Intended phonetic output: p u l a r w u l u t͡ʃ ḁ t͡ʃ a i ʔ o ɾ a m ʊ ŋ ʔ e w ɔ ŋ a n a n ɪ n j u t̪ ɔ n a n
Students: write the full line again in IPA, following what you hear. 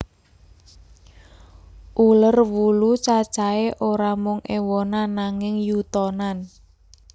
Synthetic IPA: ʔ u l ə r w u l u t͡ʃ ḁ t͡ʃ a e ʔ o ɾ a m ʊ ŋ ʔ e w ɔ n a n a ŋ ɪ ŋ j u t̪ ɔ n a n